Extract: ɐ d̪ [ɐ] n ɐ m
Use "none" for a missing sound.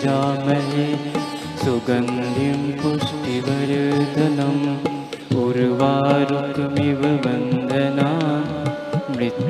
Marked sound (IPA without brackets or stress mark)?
ɐ